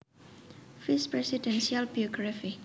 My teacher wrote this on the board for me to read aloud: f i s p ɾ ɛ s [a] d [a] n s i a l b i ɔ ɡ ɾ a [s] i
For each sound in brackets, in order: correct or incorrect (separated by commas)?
incorrect, incorrect, incorrect